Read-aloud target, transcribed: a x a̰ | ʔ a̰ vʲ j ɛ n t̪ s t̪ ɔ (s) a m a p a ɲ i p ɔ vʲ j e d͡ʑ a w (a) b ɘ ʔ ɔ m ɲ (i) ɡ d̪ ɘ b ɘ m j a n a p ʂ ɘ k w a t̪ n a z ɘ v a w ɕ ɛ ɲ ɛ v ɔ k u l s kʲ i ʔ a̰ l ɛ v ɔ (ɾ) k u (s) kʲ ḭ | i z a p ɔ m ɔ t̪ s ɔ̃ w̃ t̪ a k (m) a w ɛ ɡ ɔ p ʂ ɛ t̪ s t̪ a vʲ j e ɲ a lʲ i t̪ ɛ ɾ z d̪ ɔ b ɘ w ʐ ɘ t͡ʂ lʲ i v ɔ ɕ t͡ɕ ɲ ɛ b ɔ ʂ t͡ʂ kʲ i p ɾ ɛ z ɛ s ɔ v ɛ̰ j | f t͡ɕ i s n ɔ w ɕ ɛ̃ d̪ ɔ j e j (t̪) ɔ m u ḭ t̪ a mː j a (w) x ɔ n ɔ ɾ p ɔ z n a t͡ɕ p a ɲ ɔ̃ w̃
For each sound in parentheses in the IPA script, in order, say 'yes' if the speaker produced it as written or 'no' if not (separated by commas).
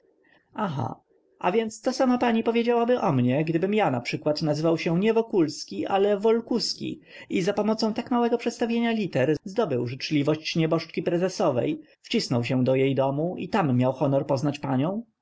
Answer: yes, yes, no, no, yes, yes, no, yes